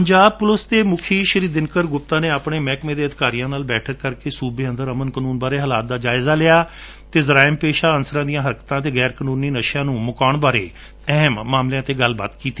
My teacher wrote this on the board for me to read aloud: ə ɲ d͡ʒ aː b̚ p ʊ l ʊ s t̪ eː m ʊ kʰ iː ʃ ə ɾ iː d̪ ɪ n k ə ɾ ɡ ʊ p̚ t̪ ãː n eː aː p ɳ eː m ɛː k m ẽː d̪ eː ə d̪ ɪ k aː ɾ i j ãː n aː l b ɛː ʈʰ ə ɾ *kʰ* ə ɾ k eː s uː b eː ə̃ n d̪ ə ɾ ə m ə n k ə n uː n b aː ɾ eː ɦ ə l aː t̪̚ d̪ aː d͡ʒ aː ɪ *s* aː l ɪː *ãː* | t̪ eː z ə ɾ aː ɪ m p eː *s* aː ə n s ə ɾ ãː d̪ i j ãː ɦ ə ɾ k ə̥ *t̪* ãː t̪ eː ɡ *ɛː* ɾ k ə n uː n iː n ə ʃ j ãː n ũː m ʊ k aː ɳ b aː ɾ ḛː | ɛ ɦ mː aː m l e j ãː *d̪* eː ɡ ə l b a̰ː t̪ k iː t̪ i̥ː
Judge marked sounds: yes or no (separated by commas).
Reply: no, no, no, no, yes, yes, no